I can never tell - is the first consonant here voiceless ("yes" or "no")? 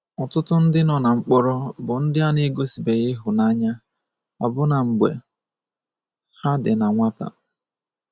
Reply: yes